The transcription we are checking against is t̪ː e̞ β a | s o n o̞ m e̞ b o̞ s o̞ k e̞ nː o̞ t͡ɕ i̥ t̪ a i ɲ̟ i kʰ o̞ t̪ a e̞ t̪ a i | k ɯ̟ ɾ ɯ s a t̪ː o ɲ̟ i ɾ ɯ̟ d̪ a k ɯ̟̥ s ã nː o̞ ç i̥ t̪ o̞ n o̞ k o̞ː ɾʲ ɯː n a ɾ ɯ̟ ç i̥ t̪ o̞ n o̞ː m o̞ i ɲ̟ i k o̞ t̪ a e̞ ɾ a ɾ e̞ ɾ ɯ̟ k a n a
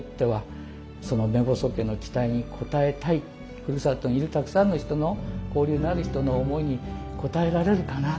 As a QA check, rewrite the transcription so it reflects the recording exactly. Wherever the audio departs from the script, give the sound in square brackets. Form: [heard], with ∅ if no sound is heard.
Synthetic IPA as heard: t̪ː e̞ β a | s o n o̞ m e̞ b o̞ s o̞ k e̞ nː o̞ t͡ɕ i̥ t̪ a i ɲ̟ i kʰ o̞ t̪ a e̞ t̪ a i | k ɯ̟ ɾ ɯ s a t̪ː o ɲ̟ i ɾ ɯ̟ [t̪] a k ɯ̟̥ s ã nː o̞ ç i̥ t̪ o̞ n o̞ k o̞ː ɾʲ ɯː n a ɾ ɯ̟ ç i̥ t̪ o̞ n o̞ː m o̞ i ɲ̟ i k o̞ t̪ a e̞ ɾ a ɾ e̞ ɾ ɯ̟ k a n a